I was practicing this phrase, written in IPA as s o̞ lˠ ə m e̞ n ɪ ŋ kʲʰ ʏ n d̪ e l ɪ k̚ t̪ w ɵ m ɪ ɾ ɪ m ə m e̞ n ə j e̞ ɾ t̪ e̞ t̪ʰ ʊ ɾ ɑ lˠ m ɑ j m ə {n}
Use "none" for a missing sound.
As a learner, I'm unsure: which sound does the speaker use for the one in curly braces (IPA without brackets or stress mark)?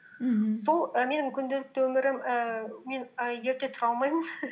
n